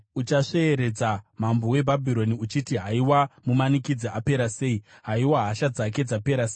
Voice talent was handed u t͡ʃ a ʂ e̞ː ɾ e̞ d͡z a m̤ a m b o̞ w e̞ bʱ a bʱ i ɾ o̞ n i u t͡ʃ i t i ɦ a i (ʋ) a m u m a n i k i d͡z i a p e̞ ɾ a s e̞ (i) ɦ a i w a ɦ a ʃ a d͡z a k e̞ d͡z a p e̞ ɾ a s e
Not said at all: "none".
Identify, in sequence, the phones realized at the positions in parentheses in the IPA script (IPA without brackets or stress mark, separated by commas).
w, i